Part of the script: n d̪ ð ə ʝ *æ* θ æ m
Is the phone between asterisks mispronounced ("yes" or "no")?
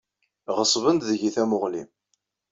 yes